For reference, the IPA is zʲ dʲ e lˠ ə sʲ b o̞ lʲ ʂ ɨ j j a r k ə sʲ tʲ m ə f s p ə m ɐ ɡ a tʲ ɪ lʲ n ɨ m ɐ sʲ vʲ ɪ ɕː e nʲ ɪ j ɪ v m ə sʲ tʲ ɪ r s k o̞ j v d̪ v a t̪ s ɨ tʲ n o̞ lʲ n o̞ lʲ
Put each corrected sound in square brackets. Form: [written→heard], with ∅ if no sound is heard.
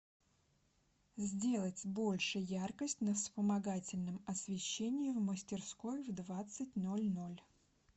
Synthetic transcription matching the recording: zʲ dʲ e lˠ ə [sʲ→tʲ] b o̞ lʲ ʂ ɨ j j a r k ə sʲ tʲ [m→n] ə f s p ə m ɐ ɡ a tʲ ɪ lʲ n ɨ m ɐ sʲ vʲ ɪ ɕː e nʲ ɪ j ɪ v m ə sʲ tʲ ɪ r s k o̞ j v d̪ v a t̪ s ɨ tʲ n o̞ lʲ n o̞ lʲ